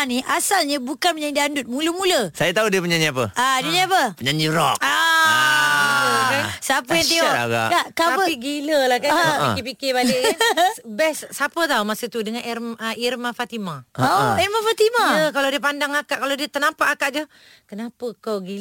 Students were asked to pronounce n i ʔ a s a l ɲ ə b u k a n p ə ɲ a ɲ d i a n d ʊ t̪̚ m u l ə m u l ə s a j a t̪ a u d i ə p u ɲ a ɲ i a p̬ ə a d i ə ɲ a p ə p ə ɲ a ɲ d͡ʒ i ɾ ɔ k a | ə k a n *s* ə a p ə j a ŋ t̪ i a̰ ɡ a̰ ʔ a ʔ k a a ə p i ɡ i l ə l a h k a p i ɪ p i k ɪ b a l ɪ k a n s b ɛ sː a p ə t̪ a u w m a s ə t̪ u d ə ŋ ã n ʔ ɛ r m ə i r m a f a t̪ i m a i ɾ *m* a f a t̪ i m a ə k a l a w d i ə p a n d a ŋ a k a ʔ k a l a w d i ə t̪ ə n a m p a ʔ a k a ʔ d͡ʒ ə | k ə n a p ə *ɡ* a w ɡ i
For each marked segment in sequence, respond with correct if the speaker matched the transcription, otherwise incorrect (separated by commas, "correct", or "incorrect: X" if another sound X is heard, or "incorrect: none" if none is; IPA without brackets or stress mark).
correct, correct, incorrect: k